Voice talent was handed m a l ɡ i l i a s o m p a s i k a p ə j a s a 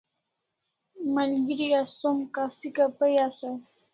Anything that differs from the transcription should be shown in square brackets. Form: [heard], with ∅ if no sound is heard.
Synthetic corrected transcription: m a l ɡ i [ɾ] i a s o m [k] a s i k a p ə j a s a